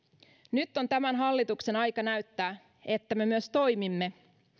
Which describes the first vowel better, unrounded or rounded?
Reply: rounded